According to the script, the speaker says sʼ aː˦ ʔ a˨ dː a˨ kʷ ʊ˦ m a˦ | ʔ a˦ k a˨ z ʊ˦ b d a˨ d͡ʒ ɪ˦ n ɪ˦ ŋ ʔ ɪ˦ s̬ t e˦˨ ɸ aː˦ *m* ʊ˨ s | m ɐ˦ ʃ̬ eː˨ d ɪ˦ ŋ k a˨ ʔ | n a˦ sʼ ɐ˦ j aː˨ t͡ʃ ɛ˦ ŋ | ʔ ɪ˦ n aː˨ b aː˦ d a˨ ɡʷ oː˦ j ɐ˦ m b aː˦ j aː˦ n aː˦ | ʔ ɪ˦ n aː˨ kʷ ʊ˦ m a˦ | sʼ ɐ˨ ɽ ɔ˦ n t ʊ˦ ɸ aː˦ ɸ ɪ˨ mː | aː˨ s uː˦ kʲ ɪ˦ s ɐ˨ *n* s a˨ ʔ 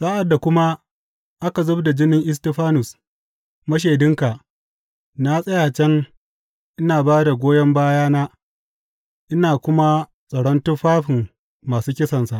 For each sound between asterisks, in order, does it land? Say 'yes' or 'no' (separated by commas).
no, yes